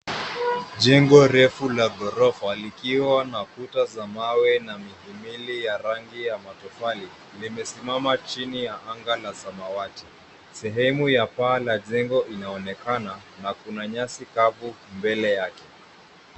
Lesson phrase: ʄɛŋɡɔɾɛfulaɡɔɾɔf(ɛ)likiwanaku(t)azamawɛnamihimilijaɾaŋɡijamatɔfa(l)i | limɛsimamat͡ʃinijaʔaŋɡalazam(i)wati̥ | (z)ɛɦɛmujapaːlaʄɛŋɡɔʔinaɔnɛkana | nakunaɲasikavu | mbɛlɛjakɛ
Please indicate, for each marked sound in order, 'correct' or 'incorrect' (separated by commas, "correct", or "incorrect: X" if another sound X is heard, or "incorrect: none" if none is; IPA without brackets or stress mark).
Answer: incorrect: a, correct, correct, incorrect: a, incorrect: s